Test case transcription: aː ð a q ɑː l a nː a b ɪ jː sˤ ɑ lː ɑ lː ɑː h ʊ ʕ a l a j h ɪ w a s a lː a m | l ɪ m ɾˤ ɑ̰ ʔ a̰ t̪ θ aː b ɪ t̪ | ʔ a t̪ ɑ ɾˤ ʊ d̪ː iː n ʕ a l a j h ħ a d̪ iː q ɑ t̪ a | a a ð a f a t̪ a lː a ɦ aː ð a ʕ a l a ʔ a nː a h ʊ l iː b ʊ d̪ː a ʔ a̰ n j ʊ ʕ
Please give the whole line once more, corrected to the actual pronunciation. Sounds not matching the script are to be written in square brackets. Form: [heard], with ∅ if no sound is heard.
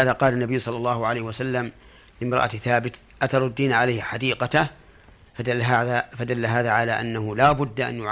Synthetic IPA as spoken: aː ð a q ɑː l a nː a b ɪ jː sˤ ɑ lː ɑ lː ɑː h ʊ ʕ a l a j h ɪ w a s a lː a m | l ɪ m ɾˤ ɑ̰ ʔ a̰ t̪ θ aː b ɪ t̪ | ʔ a t̪ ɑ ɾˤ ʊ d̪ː iː n ʕ a l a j h ħ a d̪ iː q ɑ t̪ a | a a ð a f a [d̪] a lː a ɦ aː ð a ʕ a l a ʔ a nː a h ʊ l [aː] b ʊ d̪ː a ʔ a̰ n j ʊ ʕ